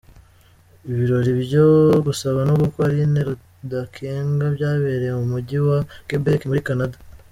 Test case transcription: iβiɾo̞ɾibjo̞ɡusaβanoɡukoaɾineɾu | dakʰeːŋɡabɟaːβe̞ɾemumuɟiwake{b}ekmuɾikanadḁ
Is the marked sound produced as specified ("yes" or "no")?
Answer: yes